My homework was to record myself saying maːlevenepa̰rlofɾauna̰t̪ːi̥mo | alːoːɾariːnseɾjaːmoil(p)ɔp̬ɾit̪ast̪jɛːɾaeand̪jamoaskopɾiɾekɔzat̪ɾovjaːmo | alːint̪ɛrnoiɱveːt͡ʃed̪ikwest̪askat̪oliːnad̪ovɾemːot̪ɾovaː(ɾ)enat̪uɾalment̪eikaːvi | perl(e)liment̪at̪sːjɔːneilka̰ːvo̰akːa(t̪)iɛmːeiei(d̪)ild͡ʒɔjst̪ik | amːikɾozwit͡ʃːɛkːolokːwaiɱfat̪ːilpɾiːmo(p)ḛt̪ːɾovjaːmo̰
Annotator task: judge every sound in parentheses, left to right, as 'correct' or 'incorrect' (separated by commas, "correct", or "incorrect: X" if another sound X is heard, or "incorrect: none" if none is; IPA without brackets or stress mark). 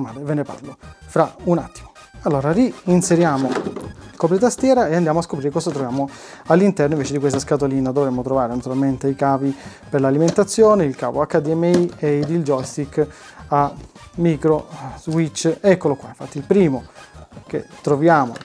incorrect: k, correct, incorrect: a, incorrect: d̪, correct, incorrect: k